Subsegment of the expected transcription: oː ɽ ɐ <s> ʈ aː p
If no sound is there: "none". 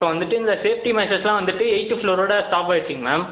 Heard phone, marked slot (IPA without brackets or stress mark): s